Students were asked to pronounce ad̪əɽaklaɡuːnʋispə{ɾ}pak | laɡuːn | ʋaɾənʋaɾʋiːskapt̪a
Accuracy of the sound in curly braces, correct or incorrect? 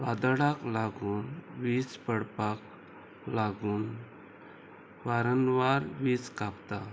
incorrect